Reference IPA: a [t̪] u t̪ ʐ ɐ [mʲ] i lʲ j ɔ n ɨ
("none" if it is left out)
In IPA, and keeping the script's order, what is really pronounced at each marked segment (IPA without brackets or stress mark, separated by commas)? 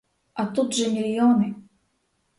t̪, mʲ